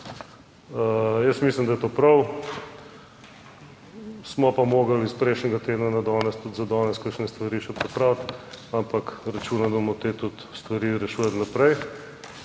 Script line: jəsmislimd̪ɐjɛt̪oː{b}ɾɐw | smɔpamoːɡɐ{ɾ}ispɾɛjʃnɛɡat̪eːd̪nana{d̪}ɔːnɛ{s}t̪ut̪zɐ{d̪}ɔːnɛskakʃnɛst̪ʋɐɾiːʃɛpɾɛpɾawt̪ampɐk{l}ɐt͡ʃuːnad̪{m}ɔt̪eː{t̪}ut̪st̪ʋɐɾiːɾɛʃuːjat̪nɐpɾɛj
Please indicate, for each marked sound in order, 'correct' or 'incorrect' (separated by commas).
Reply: incorrect, incorrect, correct, correct, correct, incorrect, correct, correct